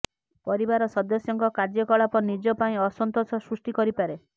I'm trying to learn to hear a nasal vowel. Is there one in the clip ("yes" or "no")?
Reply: yes